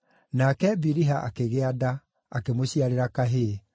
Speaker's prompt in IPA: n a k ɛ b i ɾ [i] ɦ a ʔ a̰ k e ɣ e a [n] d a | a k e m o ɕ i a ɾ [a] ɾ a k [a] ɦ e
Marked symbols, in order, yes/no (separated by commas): yes, no, no, yes